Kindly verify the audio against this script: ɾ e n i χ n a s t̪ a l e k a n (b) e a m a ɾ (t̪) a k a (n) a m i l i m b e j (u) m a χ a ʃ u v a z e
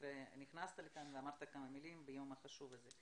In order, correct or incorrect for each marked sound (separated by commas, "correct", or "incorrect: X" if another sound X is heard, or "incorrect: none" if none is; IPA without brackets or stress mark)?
incorrect: v, correct, incorrect: m, incorrect: o